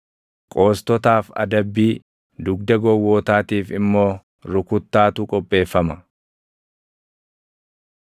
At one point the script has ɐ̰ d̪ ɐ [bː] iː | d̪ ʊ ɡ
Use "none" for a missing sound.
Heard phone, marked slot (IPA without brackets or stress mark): bː